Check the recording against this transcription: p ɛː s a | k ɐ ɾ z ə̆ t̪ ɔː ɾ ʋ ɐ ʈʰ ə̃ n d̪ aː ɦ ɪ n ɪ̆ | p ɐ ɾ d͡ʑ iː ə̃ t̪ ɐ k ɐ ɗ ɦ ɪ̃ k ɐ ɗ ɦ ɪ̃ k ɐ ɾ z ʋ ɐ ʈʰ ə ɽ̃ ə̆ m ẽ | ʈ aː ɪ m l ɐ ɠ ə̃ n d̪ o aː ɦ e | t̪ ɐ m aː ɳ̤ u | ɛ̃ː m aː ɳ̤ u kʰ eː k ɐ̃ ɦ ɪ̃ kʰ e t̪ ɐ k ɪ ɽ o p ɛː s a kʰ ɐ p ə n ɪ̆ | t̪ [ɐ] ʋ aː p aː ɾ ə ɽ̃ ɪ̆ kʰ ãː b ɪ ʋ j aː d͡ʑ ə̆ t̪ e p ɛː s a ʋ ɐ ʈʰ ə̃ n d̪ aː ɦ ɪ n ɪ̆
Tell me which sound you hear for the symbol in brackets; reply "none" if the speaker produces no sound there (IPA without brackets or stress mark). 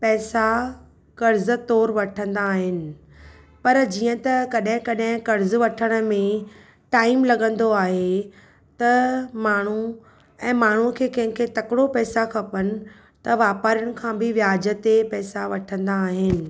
ɐ